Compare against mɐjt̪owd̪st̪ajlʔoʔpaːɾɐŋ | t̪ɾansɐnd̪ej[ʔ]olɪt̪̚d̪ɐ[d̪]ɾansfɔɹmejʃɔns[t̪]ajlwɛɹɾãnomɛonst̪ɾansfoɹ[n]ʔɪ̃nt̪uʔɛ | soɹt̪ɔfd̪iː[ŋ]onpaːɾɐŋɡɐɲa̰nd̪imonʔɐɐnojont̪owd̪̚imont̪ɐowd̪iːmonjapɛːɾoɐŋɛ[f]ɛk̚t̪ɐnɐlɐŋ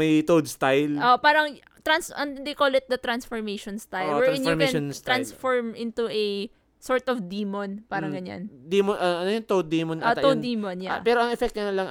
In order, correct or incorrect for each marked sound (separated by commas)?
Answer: incorrect, incorrect, correct, incorrect, incorrect, correct